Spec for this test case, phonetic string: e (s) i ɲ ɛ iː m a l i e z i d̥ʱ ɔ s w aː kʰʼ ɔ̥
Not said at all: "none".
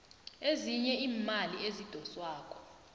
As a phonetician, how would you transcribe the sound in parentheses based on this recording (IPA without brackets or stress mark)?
z